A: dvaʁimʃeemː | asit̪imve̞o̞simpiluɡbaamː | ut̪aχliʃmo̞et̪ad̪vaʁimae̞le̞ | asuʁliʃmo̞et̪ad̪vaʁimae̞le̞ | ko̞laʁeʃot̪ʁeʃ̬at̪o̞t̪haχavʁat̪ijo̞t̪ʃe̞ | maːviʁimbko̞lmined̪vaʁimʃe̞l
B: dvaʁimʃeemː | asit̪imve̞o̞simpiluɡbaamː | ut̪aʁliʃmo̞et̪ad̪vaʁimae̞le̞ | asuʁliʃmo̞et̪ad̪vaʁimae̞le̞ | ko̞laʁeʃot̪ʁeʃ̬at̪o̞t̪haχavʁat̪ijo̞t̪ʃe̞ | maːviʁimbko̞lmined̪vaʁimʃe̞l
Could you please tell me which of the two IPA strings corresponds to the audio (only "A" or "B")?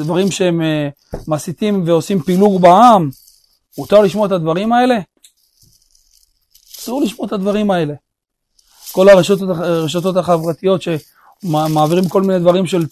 B